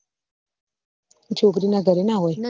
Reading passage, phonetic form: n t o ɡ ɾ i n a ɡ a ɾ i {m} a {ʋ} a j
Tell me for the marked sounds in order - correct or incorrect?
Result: incorrect: n, incorrect: w

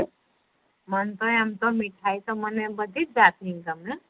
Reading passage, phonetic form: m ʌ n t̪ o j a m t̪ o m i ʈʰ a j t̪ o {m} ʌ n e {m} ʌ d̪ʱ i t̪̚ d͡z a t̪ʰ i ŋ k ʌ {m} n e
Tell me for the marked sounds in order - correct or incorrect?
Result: correct, incorrect: b, correct

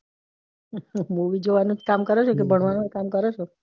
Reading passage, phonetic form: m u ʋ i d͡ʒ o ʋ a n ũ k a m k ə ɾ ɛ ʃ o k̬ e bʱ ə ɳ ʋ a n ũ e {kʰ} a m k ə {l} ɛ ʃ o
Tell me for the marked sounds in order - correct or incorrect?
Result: incorrect: k, incorrect: ɾ

